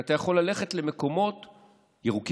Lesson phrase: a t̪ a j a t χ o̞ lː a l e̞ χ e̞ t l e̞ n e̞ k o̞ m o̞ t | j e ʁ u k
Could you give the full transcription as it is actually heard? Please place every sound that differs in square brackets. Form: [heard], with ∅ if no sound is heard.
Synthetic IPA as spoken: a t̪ a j a [∅] χ o̞ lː a l e̞ χ e̞ t l e̞ [m] e̞ k o̞ m o̞ t | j e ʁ u k